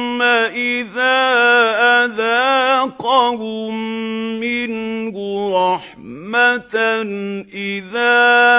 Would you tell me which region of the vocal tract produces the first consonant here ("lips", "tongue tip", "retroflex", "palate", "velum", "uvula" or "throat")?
throat